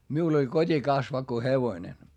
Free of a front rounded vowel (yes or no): yes